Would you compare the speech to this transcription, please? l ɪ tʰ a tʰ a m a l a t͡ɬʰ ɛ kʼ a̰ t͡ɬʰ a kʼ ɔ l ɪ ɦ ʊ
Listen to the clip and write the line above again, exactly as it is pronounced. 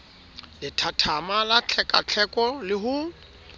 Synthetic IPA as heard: l ɪ tʰ a tʰ a m a l a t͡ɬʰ ɛ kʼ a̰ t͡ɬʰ ɛ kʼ ɔ l ɪ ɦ ʊ